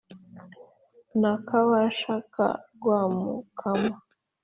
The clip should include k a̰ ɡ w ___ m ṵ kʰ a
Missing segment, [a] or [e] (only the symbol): a